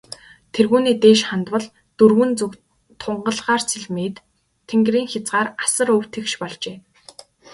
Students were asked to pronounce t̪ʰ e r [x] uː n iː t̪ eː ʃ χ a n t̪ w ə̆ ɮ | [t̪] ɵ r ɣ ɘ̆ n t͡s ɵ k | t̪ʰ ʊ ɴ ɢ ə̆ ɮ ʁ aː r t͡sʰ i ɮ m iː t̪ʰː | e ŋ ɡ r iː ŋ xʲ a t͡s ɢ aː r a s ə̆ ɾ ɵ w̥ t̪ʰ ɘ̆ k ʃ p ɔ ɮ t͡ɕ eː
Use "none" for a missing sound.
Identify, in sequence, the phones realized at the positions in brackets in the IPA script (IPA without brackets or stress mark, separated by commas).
ɣ, t̪